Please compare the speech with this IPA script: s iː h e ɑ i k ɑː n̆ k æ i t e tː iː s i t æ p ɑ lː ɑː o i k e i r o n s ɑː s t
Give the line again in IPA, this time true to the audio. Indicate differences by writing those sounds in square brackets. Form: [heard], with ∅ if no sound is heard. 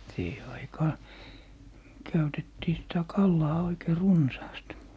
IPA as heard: s iː h e ɑ i k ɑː n̆ k æ [y] t e tː iː s i t æ [k] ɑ lː ɑː o i k e i r [u] n s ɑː s t